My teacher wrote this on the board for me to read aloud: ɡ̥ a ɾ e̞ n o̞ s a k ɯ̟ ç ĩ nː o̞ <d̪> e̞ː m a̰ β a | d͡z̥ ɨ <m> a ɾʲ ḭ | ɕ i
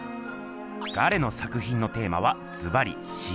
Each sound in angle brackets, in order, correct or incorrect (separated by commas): incorrect, incorrect